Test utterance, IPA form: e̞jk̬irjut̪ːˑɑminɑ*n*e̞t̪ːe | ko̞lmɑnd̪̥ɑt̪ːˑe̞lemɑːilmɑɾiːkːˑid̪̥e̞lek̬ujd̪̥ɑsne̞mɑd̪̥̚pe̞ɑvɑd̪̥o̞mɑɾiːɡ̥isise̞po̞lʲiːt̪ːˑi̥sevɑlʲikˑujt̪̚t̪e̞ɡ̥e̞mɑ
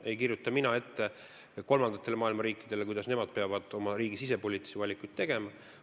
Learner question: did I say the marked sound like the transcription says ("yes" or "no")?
no